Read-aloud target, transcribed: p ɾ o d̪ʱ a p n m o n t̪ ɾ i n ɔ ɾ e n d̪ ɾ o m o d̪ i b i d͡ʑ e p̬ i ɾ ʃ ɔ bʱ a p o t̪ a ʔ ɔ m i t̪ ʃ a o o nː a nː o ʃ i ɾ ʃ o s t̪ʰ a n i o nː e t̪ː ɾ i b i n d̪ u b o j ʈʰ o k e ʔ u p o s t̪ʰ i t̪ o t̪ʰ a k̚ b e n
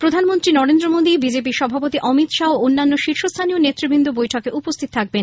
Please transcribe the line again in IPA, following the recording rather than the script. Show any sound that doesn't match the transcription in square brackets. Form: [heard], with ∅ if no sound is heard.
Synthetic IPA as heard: p ɾ o d̪ʱ a [∅] n m o n t̪ ɾ i n ɔ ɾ e n d̪ ɾ o m o d̪ i b i d͡ʑ e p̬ i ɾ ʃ ɔ bʱ a p o t̪ [i] ʔ ɔ m i t̪ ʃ a o o nː a nː o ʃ i ɾ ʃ o s t̪ʰ a n i o [n] e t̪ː ɾ i b i n d̪ u b o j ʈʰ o k e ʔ u p o s t̪ʰ i t̪ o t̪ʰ a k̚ b e n